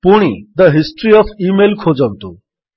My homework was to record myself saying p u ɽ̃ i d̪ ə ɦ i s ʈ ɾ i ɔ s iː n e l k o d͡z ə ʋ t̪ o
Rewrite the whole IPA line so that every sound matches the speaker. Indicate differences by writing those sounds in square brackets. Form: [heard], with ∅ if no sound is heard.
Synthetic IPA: p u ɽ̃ i d̪ ə ɦ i s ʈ ɾ i ɔ [f] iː [m] e l [kʰ] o d͡z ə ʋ t̪ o